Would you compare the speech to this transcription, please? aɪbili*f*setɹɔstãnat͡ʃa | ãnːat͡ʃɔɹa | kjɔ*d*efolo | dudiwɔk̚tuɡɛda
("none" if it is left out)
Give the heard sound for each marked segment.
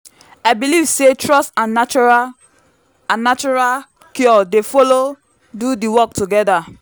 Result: v, d

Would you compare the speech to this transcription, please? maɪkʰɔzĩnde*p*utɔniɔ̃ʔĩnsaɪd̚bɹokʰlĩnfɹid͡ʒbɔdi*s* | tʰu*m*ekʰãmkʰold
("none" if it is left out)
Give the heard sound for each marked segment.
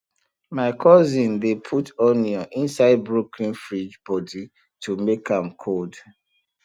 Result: pʰ, none, m

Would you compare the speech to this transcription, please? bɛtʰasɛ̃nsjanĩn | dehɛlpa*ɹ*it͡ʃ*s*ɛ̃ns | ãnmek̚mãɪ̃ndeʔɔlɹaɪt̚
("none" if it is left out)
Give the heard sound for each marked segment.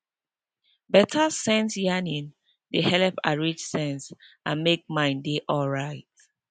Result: ɹ, s

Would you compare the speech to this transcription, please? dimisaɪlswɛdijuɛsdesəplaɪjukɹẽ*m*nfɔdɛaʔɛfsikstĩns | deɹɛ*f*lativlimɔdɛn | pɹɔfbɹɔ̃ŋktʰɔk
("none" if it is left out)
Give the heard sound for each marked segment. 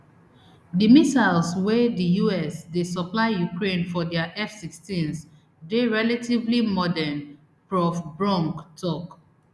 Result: none, none

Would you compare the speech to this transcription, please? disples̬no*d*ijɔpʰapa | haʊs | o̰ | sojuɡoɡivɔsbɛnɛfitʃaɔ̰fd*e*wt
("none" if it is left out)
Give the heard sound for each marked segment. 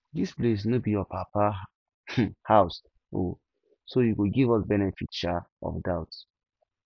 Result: b, a

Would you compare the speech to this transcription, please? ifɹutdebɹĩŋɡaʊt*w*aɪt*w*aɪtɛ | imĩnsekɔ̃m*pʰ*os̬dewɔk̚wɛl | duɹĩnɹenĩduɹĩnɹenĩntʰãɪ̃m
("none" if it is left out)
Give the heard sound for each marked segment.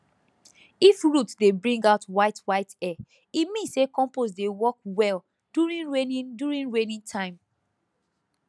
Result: w, w, p

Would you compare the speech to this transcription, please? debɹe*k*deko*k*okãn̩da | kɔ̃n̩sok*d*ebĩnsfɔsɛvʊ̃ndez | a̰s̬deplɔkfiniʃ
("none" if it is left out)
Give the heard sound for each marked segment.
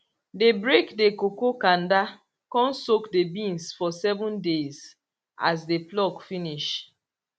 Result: k, k, d

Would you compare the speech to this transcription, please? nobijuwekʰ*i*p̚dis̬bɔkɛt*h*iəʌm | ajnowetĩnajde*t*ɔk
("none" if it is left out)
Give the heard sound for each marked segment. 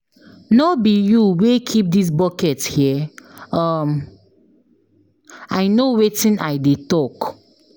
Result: i, h, t

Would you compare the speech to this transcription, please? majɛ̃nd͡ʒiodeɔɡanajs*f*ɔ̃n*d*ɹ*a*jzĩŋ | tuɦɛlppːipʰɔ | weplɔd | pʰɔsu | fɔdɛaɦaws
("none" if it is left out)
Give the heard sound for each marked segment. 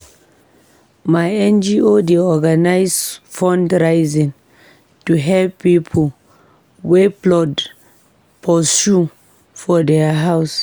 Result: f, d, a

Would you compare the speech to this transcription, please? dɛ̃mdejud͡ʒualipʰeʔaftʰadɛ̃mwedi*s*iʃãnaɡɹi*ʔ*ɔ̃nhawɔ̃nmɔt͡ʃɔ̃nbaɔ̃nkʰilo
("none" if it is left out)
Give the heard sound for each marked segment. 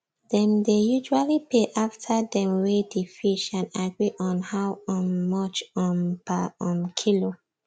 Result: f, ʔ

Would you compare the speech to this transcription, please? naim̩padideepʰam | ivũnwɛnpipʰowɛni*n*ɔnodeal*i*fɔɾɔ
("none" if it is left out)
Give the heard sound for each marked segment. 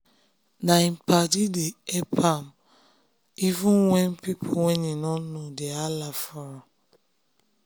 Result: n, a

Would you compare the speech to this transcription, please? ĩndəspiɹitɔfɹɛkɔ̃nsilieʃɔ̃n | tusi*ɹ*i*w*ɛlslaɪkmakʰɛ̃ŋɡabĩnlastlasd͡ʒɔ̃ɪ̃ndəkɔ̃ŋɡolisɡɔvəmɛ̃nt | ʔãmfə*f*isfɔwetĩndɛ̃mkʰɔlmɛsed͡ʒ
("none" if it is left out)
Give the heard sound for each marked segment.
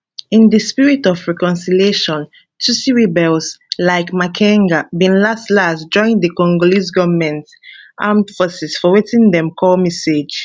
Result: ɹ, b, s

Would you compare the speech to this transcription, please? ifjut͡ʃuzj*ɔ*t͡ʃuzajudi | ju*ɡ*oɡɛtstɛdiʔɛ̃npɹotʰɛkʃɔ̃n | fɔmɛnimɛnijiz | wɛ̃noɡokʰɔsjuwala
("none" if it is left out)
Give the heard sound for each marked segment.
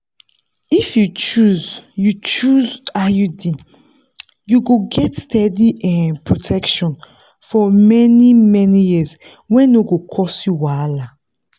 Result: u, ɡ

